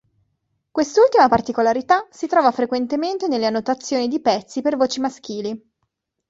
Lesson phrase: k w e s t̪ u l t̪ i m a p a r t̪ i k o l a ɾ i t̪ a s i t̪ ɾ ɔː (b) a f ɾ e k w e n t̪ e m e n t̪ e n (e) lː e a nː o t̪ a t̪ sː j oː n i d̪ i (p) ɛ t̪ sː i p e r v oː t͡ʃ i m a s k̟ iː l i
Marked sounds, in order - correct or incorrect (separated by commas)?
incorrect, correct, correct